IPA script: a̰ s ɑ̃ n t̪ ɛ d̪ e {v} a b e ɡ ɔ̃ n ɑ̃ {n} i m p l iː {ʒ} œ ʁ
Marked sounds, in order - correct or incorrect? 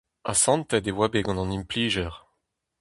incorrect, correct, correct

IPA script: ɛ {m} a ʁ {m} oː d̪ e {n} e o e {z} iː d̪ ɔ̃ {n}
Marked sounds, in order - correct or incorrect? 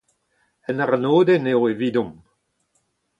incorrect, incorrect, correct, incorrect, incorrect

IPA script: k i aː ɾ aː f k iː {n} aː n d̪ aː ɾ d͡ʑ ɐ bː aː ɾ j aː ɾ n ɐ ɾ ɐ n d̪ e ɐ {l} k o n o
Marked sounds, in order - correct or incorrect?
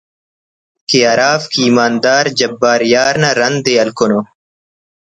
incorrect, correct

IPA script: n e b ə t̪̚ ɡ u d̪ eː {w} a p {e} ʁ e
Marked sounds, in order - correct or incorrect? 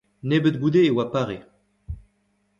correct, incorrect

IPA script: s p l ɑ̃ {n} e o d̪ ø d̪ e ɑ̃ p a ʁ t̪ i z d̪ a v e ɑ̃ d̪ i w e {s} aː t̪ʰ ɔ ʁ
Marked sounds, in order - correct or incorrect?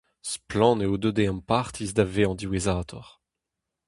correct, incorrect

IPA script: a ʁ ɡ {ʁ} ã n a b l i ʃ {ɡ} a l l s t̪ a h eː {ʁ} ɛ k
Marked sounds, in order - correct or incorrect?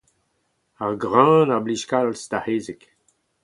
correct, incorrect, incorrect

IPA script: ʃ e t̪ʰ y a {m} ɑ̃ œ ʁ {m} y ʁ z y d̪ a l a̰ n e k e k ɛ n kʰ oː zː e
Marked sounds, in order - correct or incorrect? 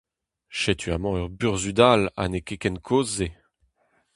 correct, incorrect

